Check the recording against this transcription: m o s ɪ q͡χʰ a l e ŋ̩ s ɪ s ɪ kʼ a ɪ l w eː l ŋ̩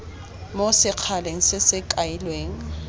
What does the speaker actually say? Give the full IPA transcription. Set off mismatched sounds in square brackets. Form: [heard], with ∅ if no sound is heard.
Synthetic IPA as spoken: m o s ɪ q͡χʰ a l e ŋ̩ s ɪ s ɪ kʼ a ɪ l w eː [∅] ŋ̩